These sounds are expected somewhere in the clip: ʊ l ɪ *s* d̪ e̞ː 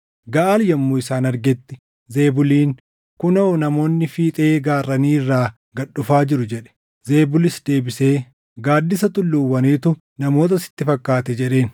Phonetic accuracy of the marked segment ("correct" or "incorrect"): correct